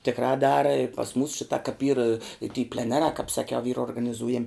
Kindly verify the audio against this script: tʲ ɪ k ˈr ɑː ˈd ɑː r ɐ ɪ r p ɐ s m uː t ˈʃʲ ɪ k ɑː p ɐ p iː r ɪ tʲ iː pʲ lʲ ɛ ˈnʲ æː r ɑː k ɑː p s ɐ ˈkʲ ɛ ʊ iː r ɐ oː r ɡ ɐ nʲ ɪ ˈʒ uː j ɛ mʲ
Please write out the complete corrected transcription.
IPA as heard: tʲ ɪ k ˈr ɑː ˈd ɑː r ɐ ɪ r p ɐ s m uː s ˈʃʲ ɪ t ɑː k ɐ p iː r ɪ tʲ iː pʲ lʲ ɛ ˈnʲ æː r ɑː k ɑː p s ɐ ˈkʲ ɛ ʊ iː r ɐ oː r ɡ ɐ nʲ ɪ ˈz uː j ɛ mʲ